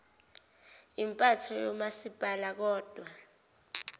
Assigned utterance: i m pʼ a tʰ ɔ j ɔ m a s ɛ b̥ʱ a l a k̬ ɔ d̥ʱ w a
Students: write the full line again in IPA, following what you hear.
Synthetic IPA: i m pʼ a tʰ ɔ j ɔ m a s i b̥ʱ a l a k̬ ɔː d̥ʱ w a